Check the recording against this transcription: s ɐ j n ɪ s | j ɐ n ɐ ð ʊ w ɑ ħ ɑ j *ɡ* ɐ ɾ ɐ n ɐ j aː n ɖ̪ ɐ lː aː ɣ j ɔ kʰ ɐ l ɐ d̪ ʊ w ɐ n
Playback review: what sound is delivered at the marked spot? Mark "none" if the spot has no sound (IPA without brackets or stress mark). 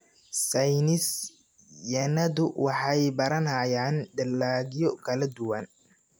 b